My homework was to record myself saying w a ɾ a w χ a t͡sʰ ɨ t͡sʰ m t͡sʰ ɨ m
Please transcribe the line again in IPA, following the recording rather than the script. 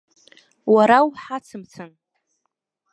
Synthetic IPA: w a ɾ a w ħ a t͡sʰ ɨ m t͡sʰ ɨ n